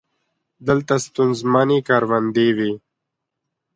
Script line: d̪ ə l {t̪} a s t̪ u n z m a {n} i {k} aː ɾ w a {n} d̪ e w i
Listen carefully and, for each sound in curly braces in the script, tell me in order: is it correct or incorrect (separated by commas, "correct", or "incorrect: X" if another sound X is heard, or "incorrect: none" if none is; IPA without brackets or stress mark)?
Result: correct, correct, correct, correct